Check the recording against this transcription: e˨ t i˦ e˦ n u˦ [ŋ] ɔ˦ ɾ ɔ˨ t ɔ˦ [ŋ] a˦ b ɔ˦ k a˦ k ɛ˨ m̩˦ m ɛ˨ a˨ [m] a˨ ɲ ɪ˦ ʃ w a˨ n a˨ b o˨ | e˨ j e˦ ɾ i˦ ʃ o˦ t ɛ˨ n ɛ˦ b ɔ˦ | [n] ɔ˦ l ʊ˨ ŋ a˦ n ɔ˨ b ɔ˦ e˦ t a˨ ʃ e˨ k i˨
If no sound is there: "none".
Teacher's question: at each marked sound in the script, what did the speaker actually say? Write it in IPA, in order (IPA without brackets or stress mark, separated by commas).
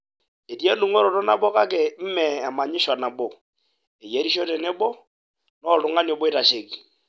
ŋ, n, m, n